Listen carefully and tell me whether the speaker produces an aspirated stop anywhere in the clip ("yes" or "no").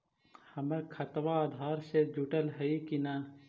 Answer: yes